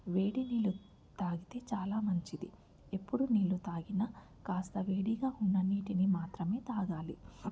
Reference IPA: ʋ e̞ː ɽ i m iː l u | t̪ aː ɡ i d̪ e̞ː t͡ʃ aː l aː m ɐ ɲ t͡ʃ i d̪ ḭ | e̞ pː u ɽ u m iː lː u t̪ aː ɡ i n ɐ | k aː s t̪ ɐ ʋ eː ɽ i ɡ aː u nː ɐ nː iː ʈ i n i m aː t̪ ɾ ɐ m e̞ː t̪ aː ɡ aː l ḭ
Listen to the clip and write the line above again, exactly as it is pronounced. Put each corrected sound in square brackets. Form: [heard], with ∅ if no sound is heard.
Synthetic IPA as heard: ʋ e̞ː ɽ i [n] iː l u | t̪ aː ɡ i [t̪] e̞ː t͡ʃ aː l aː m ɐ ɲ t͡ʃ i d̪ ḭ | e̞ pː u ɽ u [n] iː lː u t̪ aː ɡ i n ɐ | k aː s t̪ ɐ ʋ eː ɽ i ɡ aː u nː ɐ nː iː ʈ i n i m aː t̪ ɾ ɐ m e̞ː t̪ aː ɡ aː l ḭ